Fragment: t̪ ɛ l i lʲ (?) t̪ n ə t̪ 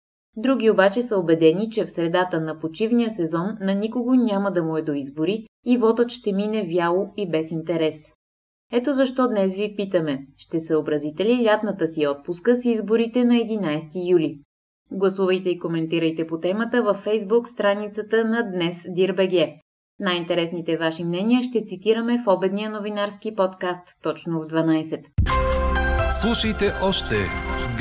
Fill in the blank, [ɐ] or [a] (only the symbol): a